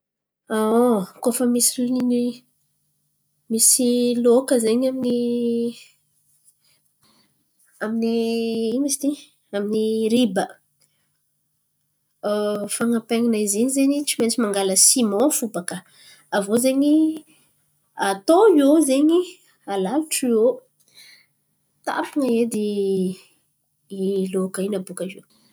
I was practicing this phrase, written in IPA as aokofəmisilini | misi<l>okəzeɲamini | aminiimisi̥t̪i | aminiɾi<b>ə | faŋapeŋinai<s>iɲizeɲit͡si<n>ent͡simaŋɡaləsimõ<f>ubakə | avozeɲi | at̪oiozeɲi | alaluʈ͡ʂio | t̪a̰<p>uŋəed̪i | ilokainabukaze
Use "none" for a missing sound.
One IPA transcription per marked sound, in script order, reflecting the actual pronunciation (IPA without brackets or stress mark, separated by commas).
l, b, z, m, f, p